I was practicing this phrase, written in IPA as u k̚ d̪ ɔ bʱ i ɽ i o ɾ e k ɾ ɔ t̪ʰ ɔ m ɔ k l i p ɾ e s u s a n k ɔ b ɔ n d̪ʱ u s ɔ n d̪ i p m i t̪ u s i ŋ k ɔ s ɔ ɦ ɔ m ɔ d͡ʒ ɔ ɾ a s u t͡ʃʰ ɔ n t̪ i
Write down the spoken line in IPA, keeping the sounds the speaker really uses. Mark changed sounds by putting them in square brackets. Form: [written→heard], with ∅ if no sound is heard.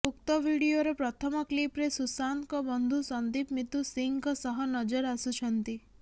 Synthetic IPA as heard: u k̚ [d̪→t̪] ɔ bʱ i ɽ i o ɾ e [k→p] ɾ ɔ t̪ʰ ɔ m ɔ k l i p ɾ e s u s a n k ɔ b ɔ n d̪ʱ u s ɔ n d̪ i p m i t̪ u s i ŋ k ɔ s ɔ ɦ ɔ [m→n] ɔ d͡ʒ ɔ ɾ a s u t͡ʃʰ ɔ n t̪ i